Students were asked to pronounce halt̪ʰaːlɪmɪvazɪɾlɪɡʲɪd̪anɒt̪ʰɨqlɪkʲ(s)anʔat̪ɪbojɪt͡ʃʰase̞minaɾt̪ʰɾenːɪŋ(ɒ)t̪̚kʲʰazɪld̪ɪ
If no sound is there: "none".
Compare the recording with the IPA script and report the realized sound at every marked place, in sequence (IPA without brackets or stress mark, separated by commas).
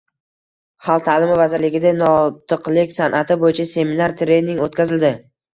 s, o